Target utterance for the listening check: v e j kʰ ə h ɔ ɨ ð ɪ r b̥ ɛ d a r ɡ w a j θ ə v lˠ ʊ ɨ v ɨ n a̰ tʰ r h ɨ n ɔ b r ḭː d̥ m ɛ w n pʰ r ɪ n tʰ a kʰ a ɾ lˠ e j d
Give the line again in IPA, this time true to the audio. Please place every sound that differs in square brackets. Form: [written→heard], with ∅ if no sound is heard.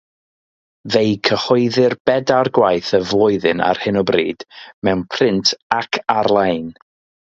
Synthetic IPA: v e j kʰ ə h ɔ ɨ ð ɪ r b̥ ɛ d a r ɡ w a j θ ə v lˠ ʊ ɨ [v→ð] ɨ n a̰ [tʰ→∅] r h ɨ n ɔ b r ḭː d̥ m ɛ w n pʰ r ɪ n tʰ a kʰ a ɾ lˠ [e→a] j [d→n]